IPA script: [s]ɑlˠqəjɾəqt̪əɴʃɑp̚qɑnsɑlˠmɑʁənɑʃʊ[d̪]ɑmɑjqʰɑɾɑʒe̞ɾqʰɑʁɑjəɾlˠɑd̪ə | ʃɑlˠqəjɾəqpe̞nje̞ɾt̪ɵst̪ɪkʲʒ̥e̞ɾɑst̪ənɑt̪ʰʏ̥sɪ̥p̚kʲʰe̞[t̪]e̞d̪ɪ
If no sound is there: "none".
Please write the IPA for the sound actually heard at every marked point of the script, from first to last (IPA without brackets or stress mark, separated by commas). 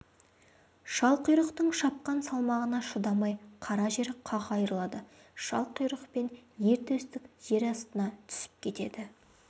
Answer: ʃ, d̪, t̪